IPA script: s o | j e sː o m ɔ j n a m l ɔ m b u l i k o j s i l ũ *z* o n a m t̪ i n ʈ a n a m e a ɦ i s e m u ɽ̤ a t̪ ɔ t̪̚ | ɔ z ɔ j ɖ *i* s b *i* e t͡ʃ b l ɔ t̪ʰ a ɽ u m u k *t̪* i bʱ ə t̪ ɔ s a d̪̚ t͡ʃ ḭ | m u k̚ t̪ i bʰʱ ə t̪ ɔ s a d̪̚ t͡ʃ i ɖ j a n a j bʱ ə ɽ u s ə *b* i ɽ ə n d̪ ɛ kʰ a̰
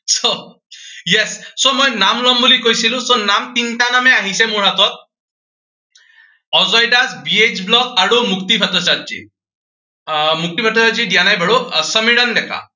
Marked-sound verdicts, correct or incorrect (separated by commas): incorrect, incorrect, correct, correct, incorrect